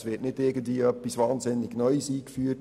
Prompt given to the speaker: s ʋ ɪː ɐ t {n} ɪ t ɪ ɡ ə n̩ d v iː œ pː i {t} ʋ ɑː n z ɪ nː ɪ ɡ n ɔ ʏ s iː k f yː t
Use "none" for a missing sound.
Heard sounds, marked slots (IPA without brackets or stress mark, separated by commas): n, s